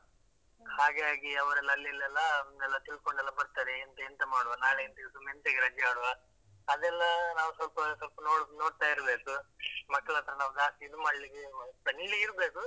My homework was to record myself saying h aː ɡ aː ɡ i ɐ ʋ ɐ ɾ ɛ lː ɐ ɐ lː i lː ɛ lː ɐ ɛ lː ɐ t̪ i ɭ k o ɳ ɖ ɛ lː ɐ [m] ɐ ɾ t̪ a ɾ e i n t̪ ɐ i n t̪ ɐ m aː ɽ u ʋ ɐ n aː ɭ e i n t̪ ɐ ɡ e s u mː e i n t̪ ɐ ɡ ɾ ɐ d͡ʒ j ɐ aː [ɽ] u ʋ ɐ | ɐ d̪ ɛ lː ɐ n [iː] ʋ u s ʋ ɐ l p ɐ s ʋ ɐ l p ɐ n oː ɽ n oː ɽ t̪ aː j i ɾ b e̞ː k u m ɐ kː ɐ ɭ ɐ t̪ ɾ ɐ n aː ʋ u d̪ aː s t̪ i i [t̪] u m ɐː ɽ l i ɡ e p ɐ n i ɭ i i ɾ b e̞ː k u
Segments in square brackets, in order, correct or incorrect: incorrect: b, correct, incorrect: aː, incorrect: d̪

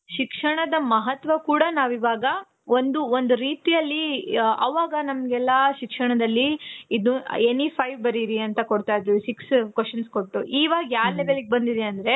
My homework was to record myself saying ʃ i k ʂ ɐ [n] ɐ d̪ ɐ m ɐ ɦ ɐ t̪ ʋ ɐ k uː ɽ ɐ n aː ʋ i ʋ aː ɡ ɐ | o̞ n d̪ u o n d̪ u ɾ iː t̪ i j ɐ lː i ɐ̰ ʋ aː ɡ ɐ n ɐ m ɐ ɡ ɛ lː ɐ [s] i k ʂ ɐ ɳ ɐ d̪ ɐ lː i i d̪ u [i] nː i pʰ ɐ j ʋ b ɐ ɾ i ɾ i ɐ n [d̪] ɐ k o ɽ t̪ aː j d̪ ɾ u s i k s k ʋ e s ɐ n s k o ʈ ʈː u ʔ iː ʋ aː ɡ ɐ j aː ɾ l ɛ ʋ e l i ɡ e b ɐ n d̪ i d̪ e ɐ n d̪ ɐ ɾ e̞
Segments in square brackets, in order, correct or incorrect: incorrect: ɳ, incorrect: ʃ, incorrect: e, incorrect: t̪

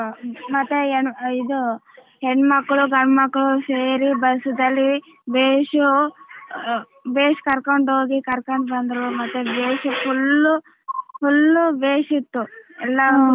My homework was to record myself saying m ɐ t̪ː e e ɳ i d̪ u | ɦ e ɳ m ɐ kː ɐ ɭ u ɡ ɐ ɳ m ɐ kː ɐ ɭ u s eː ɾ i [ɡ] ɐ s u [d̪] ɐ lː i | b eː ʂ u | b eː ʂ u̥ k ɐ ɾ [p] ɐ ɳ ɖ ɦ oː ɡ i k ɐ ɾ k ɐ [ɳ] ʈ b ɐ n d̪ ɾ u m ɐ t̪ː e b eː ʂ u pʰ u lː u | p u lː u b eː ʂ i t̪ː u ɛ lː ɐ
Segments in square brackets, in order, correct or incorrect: incorrect: b, correct, incorrect: k, correct

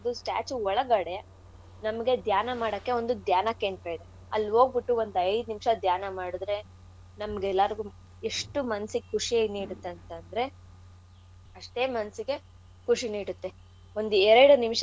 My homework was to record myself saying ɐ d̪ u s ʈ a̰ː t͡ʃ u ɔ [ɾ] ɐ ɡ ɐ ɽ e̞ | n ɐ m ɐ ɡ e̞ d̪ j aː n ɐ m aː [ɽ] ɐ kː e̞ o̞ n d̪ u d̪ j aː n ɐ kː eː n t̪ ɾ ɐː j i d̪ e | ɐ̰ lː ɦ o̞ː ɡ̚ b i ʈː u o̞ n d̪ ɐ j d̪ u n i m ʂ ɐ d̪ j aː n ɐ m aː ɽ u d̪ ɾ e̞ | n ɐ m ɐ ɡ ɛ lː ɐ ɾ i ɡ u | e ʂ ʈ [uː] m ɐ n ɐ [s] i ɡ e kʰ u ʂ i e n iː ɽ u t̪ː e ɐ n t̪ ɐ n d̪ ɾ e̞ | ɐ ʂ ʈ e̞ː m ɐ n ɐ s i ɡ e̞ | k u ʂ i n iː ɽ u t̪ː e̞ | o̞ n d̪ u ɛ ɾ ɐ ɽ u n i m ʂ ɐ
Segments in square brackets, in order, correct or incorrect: incorrect: ɭ, correct, incorrect: u, correct

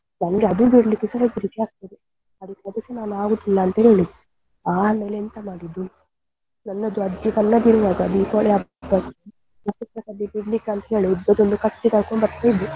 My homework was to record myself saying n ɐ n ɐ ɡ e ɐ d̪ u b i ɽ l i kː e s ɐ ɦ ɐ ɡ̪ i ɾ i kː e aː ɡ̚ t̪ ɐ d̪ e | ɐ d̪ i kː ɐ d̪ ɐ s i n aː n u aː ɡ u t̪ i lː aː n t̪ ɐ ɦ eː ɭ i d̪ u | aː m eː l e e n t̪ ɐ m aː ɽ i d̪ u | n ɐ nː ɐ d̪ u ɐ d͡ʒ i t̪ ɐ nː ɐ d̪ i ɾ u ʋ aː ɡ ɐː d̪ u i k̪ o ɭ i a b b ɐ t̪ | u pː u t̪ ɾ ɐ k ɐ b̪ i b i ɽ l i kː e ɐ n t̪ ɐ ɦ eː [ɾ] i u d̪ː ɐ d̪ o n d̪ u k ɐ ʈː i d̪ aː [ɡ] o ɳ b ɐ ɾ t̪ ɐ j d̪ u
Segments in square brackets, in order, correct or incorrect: incorrect: ɭ, incorrect: k

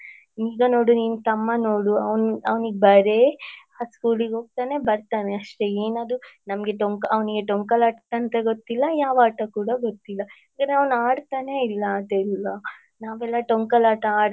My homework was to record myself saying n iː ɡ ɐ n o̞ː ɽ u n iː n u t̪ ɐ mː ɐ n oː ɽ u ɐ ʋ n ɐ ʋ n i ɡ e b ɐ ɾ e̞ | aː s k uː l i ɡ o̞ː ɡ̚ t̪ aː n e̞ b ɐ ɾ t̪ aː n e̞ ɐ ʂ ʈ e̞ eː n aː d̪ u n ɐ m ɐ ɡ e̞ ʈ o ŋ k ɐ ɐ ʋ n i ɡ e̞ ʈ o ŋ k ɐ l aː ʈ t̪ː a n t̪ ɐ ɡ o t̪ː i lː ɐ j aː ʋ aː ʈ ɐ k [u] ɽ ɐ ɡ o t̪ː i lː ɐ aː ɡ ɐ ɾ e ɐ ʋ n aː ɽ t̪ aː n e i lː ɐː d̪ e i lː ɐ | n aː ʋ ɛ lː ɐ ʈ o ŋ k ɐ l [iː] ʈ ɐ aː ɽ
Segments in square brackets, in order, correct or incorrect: incorrect: uː, incorrect: aː

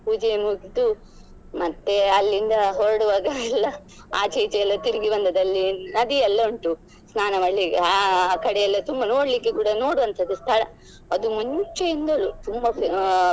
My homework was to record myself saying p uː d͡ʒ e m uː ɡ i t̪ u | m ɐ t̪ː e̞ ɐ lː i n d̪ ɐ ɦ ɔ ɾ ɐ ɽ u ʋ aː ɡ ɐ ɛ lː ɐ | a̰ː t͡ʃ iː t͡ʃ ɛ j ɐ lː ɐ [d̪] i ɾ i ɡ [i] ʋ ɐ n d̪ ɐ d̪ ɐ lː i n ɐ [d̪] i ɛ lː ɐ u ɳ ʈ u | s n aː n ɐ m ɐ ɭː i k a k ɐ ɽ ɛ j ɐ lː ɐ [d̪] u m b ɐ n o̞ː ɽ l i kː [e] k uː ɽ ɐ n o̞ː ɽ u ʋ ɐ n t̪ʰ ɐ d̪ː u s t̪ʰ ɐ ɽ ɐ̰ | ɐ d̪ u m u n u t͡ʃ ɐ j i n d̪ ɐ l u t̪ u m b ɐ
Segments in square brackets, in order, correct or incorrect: incorrect: t̪, correct, correct, incorrect: t̪, correct

